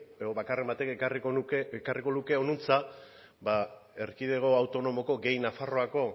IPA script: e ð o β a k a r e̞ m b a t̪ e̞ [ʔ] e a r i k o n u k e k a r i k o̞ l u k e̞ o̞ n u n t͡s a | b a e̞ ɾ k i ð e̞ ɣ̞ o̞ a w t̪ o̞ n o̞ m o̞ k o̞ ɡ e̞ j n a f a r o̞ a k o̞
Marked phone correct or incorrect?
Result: incorrect